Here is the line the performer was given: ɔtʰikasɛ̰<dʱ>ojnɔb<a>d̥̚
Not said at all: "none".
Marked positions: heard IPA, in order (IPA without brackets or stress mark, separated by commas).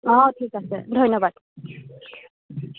dʱ, a